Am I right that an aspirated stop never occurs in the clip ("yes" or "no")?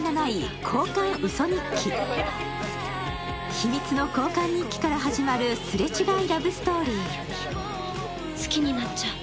no